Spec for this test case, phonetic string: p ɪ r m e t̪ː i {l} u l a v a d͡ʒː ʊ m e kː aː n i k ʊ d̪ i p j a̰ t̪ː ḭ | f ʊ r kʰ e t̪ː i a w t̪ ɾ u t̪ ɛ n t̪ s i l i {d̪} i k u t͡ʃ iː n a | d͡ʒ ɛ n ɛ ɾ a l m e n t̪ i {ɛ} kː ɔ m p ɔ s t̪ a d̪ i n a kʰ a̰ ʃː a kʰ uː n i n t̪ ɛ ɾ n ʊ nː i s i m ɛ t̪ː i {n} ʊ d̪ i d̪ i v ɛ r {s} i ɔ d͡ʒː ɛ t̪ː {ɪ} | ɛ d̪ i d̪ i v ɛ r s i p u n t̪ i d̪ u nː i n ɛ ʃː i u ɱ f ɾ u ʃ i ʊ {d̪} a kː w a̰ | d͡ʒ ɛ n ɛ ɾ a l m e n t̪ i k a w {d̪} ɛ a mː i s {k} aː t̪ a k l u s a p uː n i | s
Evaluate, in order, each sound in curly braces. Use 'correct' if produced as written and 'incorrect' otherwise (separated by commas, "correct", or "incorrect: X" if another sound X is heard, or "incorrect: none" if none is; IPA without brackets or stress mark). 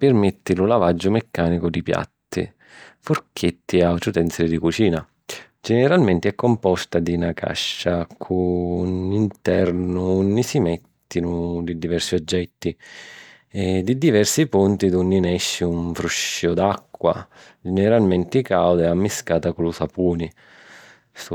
correct, correct, correct, correct, correct, incorrect: i, correct, correct, correct